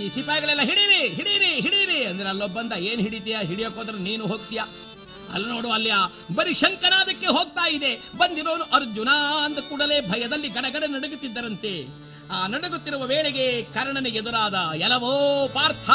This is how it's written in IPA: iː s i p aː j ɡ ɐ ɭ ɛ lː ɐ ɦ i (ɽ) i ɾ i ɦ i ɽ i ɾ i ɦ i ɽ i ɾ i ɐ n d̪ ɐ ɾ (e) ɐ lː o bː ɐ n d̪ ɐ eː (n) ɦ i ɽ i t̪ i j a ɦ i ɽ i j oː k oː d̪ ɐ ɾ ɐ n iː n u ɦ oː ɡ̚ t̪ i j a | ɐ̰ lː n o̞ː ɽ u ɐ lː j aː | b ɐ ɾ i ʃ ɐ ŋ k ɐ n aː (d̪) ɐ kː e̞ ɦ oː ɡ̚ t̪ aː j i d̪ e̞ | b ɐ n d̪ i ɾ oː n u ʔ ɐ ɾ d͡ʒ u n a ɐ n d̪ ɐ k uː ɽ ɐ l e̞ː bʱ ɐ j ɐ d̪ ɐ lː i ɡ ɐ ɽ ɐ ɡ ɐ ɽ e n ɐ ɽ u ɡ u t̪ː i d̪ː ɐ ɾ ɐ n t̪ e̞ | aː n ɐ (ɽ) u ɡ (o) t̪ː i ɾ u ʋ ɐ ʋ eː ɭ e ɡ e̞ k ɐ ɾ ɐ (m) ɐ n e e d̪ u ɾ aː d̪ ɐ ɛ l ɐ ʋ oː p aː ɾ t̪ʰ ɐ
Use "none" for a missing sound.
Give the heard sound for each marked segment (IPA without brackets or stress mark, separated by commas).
ɽ, e, n, d̪, ɽ, u, ɳ